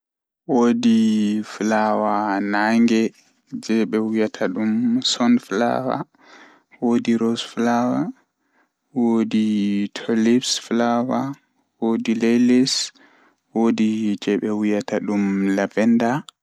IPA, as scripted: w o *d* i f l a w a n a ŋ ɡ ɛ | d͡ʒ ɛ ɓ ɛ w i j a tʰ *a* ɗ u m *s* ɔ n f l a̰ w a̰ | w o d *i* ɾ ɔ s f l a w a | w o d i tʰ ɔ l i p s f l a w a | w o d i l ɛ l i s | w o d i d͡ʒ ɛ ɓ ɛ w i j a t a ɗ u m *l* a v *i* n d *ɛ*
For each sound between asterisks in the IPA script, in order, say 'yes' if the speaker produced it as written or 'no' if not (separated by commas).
yes, yes, yes, yes, yes, no, no